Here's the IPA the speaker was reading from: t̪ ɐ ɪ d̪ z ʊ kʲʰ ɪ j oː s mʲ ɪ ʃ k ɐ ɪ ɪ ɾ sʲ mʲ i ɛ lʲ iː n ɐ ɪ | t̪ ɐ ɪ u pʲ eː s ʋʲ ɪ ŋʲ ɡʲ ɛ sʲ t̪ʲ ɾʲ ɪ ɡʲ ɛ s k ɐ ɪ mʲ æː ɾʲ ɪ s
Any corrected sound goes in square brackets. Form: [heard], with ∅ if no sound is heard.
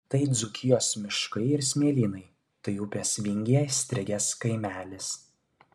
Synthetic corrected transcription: t̪ ɐ ɪ d̪ z ʊ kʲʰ ɪ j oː s mʲ ɪ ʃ k ɐ ɪ ɪ ɾ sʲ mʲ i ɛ lʲ iː n ɐ ɪ | t̪ ɐ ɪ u pʲ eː s ʋʲ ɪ ŋʲ ɡʲ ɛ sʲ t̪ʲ ɾʲ ɪ ɡʲ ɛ s k ɐ ɪ mʲ æː [lʲ] ɪ s